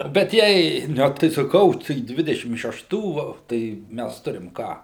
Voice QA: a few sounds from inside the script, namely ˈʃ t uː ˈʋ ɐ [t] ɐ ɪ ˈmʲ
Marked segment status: correct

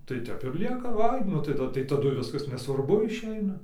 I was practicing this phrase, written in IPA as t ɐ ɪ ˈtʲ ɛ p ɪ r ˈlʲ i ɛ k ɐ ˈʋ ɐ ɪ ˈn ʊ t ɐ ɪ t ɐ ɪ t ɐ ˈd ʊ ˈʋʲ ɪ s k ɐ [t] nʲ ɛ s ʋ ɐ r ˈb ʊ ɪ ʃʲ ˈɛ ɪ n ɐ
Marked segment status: incorrect: s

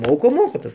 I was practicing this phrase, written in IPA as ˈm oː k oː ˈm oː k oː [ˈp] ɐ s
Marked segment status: incorrect: t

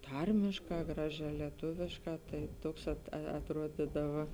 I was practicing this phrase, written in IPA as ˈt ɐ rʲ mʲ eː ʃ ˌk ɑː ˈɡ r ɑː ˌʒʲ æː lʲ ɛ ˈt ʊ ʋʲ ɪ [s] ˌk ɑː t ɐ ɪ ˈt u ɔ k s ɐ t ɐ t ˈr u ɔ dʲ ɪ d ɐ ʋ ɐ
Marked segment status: incorrect: ʃ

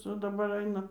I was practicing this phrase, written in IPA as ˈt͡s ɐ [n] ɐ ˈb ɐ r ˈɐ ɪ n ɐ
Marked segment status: incorrect: d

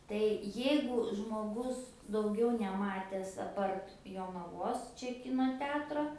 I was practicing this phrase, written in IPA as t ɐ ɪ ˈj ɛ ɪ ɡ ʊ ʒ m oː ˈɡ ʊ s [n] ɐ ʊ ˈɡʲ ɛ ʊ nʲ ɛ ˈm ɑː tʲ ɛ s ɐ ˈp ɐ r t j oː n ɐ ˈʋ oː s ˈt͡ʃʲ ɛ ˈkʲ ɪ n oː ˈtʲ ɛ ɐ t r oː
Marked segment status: incorrect: d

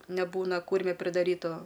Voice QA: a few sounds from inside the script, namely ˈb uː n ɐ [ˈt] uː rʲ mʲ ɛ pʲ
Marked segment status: incorrect: k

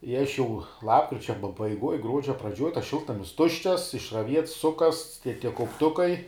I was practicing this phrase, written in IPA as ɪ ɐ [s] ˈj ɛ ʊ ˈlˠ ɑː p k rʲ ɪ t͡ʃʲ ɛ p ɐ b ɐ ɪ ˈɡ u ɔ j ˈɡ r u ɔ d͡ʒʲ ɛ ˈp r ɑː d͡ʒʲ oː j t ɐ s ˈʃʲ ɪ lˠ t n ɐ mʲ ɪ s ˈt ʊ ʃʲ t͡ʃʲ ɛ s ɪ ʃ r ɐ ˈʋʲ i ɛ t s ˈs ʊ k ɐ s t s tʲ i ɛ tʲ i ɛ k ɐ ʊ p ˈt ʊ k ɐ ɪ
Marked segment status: incorrect: ʃ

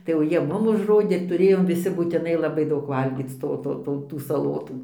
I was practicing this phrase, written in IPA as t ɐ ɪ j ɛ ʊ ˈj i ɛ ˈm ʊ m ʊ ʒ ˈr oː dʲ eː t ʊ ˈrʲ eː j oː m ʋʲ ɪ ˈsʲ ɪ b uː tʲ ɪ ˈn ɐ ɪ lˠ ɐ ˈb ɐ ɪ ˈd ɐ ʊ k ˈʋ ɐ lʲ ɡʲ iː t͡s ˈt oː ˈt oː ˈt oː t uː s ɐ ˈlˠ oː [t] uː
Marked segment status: correct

